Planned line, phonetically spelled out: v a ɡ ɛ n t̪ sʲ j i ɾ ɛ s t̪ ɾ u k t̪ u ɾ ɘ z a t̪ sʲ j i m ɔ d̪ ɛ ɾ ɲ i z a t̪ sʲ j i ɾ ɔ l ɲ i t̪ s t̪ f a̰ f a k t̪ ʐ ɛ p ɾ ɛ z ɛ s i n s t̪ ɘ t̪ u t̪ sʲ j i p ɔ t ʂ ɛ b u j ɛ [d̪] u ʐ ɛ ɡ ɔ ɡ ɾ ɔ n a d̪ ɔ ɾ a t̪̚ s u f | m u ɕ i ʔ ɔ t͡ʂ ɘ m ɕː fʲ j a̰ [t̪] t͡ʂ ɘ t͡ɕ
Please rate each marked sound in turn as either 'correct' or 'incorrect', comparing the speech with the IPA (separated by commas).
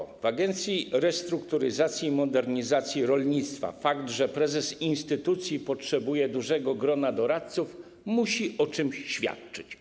correct, correct